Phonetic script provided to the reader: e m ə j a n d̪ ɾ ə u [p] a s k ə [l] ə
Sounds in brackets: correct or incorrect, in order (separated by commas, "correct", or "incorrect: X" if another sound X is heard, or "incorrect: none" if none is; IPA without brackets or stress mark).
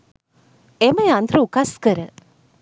incorrect: k, incorrect: ɾ